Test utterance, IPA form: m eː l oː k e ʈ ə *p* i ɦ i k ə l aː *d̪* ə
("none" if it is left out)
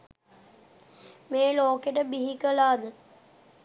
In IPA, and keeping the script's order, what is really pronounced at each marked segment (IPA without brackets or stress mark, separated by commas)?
b, d̪